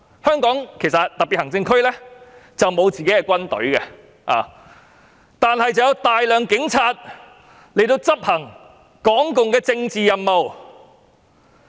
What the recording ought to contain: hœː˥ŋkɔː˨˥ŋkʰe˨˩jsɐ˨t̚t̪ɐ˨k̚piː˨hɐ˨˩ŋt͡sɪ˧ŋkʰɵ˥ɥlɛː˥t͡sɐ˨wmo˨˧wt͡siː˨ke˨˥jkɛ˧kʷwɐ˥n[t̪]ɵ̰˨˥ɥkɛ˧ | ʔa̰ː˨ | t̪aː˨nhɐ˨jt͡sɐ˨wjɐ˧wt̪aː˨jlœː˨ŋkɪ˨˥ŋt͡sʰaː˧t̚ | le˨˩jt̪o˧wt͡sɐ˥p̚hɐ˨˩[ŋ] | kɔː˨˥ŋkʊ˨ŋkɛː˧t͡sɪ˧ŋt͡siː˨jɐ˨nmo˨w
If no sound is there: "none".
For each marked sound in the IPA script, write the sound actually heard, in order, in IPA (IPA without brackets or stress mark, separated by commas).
t̪, ŋ